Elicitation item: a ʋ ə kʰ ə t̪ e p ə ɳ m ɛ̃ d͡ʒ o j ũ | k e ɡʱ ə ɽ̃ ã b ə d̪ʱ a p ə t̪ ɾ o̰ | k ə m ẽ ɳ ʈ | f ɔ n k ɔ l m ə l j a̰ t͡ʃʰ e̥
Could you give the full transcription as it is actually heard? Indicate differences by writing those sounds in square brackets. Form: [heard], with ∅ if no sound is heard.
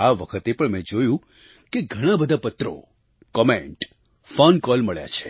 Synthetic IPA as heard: a ʋ ə kʰ ə t̪ e p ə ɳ m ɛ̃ d͡ʒ o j ũ | k e ɡʱ ə ɽ̃ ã b ə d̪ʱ a p ə t̪ ɾ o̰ | k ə m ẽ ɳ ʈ | f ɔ n k ɔ l m ə [ɭ] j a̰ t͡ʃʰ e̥